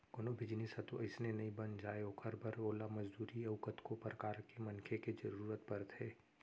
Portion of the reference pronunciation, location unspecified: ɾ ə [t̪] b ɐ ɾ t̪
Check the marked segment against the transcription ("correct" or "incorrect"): correct